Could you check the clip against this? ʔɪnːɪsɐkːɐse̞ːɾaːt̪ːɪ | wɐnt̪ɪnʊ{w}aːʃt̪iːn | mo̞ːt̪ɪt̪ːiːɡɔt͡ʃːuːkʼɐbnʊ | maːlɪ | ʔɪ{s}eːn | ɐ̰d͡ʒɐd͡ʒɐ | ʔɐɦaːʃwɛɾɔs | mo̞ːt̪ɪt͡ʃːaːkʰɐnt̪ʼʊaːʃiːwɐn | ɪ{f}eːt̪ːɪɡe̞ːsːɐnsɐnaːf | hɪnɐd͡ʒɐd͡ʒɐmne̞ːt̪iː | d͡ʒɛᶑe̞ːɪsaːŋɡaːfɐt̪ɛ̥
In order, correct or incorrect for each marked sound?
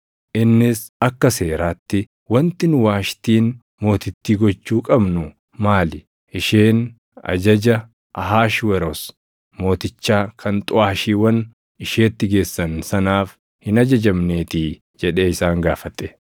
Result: correct, incorrect, incorrect

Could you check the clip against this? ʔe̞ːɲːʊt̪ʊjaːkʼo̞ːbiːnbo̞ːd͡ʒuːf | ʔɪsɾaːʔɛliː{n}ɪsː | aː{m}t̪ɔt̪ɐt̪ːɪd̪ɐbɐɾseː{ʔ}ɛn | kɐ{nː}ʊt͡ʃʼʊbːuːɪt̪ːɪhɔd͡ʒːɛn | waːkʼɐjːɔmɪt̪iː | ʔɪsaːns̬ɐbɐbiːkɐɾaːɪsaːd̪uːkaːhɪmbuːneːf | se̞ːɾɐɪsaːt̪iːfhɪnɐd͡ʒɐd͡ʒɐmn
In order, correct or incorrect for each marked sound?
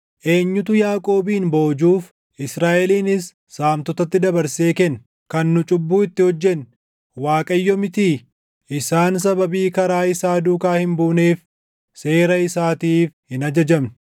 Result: correct, correct, incorrect, correct

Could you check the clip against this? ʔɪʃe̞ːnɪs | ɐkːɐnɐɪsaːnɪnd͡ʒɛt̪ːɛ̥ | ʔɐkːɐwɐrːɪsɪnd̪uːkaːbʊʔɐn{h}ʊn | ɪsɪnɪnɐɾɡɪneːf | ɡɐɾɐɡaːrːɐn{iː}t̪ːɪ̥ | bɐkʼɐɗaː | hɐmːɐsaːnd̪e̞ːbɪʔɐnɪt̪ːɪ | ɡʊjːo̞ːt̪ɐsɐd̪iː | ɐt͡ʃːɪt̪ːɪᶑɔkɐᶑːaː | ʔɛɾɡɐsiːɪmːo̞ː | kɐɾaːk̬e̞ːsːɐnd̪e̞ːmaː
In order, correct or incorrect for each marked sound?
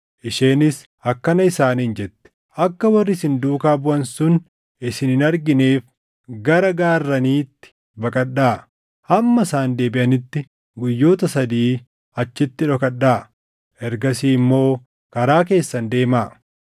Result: incorrect, correct

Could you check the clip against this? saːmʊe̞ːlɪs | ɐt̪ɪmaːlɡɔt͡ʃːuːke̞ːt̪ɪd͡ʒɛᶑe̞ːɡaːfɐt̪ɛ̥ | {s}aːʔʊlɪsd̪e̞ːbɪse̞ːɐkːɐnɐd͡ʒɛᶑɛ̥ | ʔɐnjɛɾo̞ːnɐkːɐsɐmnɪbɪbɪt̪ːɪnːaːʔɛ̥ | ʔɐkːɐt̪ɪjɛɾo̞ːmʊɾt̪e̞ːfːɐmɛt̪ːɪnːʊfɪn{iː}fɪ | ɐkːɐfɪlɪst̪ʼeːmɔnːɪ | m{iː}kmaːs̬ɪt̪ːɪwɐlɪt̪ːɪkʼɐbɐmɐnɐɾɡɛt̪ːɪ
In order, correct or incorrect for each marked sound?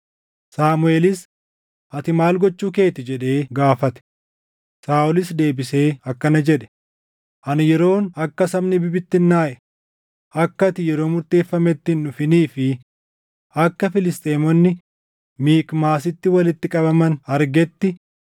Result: correct, correct, correct

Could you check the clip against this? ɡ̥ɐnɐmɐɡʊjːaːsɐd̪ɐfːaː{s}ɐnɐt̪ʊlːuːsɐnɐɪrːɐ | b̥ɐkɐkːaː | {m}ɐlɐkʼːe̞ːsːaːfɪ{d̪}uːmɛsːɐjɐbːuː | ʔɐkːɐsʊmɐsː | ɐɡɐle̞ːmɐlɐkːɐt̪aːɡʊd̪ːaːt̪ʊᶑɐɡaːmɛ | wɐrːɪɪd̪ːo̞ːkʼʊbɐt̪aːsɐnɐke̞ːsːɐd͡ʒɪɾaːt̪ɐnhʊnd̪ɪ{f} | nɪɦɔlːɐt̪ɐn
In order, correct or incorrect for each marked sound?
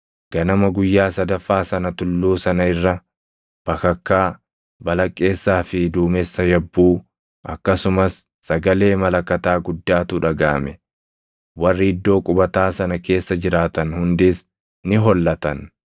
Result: correct, incorrect, correct, incorrect

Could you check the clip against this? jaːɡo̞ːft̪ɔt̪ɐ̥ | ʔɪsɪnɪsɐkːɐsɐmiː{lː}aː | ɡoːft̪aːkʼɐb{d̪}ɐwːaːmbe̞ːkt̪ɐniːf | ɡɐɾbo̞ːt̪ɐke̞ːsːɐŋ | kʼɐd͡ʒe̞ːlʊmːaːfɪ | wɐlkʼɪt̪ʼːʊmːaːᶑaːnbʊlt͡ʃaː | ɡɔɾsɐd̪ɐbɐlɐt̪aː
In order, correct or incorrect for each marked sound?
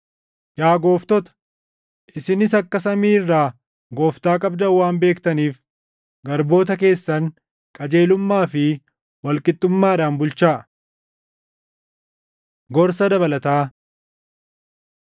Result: incorrect, correct

